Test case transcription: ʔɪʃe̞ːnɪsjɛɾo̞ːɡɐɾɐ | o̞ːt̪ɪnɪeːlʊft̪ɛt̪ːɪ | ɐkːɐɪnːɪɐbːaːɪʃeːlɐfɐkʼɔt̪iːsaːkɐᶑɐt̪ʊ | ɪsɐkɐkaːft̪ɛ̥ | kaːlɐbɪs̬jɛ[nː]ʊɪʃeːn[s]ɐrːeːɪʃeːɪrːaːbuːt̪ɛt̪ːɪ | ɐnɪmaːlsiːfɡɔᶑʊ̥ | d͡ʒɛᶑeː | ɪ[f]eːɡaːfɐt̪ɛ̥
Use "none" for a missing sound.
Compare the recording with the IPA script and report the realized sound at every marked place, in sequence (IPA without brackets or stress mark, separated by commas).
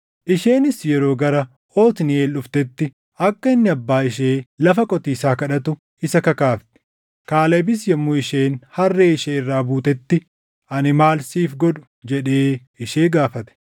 mː, h, ʃ